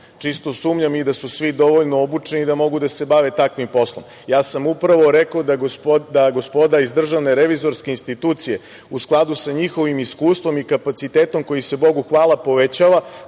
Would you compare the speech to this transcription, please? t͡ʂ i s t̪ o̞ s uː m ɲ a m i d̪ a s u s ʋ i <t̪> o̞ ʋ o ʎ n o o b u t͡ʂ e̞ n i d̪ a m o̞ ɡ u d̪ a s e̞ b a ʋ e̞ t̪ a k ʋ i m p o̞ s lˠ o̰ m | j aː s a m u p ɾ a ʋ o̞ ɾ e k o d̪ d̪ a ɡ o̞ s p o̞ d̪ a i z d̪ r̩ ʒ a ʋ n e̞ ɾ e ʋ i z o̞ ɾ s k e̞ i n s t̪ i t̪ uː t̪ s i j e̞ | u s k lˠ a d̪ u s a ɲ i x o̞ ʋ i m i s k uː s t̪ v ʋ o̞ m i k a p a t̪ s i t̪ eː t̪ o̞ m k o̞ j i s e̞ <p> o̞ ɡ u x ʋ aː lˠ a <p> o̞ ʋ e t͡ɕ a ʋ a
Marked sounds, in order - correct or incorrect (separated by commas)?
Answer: incorrect, incorrect, correct